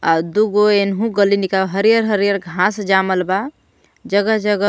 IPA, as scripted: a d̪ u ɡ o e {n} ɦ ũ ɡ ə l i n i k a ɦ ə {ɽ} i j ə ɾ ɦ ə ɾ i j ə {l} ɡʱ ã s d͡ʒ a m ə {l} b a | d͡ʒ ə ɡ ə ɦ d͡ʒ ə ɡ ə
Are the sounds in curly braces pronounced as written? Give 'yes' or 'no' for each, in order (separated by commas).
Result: yes, no, no, yes